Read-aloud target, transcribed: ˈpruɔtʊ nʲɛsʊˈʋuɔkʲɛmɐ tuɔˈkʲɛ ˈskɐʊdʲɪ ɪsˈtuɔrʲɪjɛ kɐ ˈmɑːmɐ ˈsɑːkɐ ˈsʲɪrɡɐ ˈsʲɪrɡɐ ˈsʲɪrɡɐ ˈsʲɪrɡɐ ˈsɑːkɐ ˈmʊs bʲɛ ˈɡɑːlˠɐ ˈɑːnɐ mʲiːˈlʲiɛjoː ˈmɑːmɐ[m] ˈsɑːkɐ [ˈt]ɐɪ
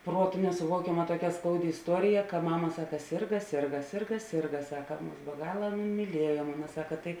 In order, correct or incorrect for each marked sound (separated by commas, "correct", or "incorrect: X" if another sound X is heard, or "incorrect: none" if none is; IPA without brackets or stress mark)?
incorrect: none, correct